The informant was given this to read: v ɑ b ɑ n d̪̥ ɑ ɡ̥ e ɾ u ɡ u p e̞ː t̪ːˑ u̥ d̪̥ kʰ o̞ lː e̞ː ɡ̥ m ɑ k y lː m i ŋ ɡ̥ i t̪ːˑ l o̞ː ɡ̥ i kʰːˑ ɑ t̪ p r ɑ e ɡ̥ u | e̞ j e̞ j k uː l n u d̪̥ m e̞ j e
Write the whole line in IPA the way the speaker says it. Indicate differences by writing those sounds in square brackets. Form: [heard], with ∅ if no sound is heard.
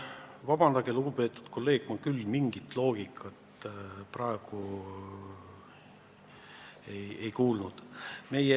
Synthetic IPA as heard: v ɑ b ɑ n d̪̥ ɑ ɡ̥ e [l] u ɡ u p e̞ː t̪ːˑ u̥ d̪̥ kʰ o̞ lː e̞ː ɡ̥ m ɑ k y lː m i ŋ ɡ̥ i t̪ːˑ l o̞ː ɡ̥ i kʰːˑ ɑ t̪ p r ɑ e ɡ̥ u | e̞ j e̞ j k uː l n u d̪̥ m e̞ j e

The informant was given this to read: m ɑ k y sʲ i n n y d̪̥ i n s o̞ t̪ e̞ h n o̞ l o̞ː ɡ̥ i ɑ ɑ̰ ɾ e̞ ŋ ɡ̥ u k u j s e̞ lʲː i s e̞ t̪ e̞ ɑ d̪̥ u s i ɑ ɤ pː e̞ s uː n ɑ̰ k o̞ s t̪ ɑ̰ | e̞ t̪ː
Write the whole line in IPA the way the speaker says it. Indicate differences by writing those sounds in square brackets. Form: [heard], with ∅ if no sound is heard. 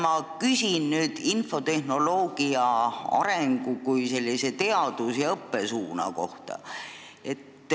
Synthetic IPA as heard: m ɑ k y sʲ i n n [yː] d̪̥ i n [f] o̞ t̪ e̞ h n o̞ l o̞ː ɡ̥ i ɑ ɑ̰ ɾ e̞ ŋ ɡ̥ u k u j s e̞ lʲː i s e̞ t̪ e̞ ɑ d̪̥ u s [j] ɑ ɤ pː e̞ s uː n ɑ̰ k o̞ [h] t̪ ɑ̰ | e̞ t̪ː

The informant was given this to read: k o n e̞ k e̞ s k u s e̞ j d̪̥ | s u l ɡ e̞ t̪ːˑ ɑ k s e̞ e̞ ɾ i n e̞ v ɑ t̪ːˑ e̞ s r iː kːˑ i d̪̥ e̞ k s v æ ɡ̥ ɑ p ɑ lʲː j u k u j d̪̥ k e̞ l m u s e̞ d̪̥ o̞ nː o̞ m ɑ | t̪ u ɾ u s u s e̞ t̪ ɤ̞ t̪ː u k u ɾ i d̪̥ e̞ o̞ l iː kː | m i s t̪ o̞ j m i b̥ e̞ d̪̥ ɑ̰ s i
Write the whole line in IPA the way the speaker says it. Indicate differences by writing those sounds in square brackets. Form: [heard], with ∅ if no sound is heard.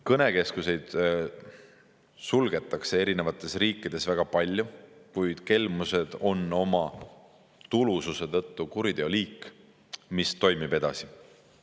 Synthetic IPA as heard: k [ɤ] n e̞ k e̞ s k u s e̞ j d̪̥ | s u l ɡ e̞ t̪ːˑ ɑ k s e̞ e̞ ɾ i n e̞ v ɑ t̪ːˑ e̞ s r iː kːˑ i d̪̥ e̞ [∅] s v æ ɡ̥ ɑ p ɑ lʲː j u k u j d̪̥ k e̞ l m u s e̞ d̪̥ o̞ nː o̞ m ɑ | t̪ u [l] u s u s e̞ t̪ ɤ̞ t̪ː u k u ɾ i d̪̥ e̞ o̞ l iː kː | m i s t̪ o̞ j m i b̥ e̞ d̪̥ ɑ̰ s i

